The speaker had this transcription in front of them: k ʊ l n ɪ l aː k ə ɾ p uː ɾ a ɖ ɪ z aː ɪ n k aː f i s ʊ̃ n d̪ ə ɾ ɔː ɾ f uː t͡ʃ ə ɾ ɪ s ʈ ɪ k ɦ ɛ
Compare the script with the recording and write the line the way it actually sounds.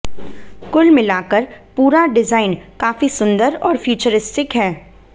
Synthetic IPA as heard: k ʊ l m ɪ l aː k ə ɾ p uː ɾ a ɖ ɪ z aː ɪ n k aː f i s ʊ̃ n d̪ ə ɾ ɔː ɾ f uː t͡ʃ ə ɾ ɪ s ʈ ɪ k ɦ ɛː